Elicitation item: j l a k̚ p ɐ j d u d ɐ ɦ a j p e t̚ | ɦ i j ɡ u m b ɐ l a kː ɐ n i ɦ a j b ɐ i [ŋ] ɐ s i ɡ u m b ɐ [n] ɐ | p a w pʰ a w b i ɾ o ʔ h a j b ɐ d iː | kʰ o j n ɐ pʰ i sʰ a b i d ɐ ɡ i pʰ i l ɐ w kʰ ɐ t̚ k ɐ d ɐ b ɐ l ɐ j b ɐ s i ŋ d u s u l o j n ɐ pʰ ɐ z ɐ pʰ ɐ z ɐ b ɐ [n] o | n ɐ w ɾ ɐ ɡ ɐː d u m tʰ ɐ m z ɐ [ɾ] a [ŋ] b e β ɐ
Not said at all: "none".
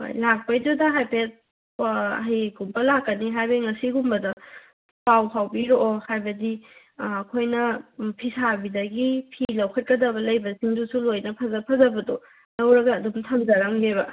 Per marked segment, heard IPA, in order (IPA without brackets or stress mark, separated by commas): ŋ, d, d, ɾ, ŋ